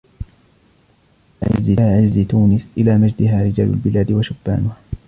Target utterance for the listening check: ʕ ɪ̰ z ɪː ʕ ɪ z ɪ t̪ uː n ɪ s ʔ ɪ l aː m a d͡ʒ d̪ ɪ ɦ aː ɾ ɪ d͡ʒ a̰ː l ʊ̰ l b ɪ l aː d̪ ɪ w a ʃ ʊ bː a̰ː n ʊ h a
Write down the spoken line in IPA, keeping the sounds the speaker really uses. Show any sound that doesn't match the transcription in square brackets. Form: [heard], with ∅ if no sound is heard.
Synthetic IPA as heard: ʕ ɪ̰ z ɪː ʕ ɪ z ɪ t̪ uː n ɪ s ʔ ɪ l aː m a d͡ʒ d̪ ɪ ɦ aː ɾ ɪ d͡ʒ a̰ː l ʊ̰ l b ɪ l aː d̪ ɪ w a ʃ ʊ bː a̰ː n ʊ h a